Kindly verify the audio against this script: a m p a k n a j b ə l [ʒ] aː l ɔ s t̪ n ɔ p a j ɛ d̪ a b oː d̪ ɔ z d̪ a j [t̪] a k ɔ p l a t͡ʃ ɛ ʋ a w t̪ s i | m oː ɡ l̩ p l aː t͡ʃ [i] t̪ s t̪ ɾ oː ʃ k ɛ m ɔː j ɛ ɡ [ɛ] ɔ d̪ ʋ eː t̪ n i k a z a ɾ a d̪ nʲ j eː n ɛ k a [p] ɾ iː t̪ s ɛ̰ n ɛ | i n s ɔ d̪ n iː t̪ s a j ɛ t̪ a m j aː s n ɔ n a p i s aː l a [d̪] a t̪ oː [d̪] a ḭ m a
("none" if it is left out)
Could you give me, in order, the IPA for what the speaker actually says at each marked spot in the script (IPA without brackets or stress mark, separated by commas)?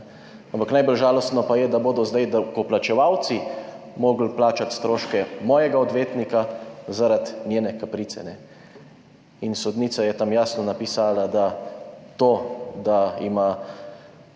ʒ, d̪, a, a, p, d̪, d̪